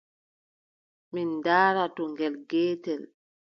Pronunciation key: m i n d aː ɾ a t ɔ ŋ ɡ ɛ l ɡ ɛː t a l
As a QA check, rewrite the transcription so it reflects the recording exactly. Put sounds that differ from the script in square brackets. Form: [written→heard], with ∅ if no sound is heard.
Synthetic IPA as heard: m i n d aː ɾ a t ɔ ŋ ɡ ɛ l ɡ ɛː t [a→ɛ] l

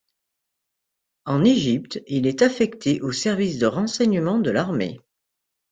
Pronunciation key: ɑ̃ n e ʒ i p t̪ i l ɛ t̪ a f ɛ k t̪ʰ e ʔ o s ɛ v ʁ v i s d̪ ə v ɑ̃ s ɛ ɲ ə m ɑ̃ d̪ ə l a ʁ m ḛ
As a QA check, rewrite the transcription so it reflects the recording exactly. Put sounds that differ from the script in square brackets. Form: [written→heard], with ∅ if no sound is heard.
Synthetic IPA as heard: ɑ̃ n e ʒ i p t̪ i l ɛ t̪ a f ɛ k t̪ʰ e ʔ o s ɛ [v→∅] ʁ v i s d̪ ə [v→ʁ] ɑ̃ s ɛ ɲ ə m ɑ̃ d̪ ə l a ʁ m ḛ

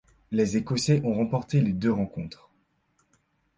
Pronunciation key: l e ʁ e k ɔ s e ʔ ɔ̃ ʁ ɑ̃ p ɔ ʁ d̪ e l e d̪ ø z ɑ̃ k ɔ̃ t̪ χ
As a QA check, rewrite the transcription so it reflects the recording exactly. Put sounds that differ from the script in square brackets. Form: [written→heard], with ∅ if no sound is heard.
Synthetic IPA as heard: l e [ʁ→z] e k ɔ s e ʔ ɔ̃ ʁ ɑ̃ p ɔ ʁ [d̪→t̪] e l e d̪ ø [z→ʁ] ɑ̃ k ɔ̃ t̪ χ

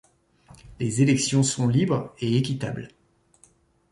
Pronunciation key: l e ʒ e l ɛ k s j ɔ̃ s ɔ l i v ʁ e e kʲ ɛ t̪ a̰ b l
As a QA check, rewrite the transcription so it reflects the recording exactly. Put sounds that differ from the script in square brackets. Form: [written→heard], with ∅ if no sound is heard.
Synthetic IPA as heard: l e [ʒ→z] e l ɛ k s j ɔ̃ s [ɔ→ɔ̃] l i [v→b] ʁ e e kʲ [ɛ→i] t̪ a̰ b l

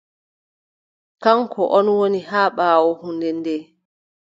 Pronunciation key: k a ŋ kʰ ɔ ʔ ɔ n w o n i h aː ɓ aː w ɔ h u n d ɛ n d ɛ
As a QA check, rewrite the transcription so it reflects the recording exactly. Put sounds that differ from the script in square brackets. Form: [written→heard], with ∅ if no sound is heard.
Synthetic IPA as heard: k a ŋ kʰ ɔ ʔ ɔ n w o n i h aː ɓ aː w ɔ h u n d ɛ n d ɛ

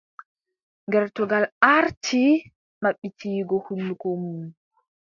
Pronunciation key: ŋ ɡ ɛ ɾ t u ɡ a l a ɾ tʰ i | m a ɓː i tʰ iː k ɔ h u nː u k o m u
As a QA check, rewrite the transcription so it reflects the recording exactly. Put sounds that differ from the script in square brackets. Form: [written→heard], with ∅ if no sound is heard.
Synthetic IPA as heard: ŋ ɡ ɛ ɾ t [u→ɔ] ɡ a l a ɾ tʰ i | m a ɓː i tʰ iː [k→ɡ] ɔ h u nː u k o m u

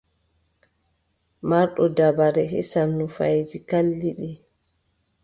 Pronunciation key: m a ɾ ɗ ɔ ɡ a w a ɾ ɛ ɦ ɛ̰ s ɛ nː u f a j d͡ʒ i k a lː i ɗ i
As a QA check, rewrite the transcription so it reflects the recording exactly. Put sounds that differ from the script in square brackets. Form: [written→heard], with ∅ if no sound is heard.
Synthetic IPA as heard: m a ɾ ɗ ɔ [ɡ→d] a [w→b] a ɾ ɛ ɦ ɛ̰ s [ɛ→a] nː u f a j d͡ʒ i k a lː i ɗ i

